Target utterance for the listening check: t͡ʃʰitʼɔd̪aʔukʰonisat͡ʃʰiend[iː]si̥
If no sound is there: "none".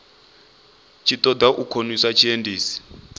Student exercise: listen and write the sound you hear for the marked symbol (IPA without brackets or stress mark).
iː